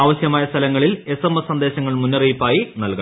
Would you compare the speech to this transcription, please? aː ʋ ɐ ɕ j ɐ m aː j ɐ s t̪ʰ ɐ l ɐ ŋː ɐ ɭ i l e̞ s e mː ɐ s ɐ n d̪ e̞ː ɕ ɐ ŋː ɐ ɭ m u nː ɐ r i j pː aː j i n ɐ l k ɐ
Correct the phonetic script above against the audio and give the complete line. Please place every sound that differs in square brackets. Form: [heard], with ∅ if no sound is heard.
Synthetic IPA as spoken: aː ʋ ɐ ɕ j ɐ m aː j ɐ s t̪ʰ ɐ l ɐ ŋː ɐ ɭ i l e̞ s e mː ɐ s ɐ n d̪ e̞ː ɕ ɐ ŋː ɐ ɭ m u nː ɐ r i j pː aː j i n ɐ l k ɐ